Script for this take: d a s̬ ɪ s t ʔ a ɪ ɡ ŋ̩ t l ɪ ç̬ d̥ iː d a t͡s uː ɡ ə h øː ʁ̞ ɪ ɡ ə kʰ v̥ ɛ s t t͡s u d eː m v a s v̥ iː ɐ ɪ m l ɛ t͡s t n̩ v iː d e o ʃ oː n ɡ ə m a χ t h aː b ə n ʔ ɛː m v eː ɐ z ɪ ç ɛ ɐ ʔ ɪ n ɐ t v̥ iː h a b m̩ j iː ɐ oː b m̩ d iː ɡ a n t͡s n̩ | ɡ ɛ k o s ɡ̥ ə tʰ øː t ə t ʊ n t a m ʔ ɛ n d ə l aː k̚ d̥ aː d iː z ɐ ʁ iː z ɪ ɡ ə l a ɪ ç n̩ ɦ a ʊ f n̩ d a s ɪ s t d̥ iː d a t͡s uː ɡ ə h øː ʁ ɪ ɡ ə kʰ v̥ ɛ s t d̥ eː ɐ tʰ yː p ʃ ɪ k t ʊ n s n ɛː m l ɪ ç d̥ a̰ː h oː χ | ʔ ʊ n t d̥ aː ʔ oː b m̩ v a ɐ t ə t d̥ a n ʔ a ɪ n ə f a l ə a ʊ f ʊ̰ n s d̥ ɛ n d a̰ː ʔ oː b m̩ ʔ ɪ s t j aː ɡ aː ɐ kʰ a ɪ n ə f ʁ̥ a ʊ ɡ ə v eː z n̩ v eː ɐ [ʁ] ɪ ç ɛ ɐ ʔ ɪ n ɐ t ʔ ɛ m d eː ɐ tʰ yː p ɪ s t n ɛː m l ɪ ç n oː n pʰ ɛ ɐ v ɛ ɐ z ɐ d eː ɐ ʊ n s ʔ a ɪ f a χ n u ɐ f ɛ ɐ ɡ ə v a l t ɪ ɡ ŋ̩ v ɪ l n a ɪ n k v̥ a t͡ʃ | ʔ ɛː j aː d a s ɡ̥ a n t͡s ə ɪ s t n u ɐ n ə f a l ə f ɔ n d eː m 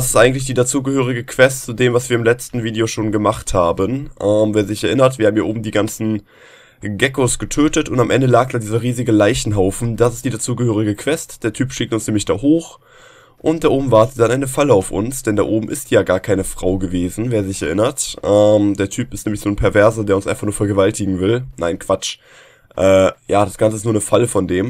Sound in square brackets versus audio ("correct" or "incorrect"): incorrect